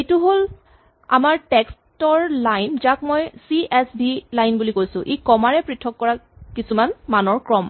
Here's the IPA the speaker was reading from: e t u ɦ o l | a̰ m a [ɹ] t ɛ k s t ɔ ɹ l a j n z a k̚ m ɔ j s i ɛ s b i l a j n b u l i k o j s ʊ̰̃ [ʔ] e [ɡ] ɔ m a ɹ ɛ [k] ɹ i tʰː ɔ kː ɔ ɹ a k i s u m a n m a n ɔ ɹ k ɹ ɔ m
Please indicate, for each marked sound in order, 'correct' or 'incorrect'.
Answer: correct, correct, incorrect, incorrect

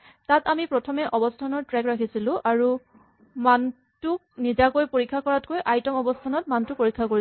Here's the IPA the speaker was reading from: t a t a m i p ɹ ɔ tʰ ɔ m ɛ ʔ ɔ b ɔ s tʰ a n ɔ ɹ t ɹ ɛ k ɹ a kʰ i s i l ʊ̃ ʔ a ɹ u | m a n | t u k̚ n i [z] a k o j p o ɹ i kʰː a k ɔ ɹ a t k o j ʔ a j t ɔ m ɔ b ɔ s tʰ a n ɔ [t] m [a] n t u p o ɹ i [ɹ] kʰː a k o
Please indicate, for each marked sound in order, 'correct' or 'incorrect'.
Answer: correct, correct, correct, incorrect

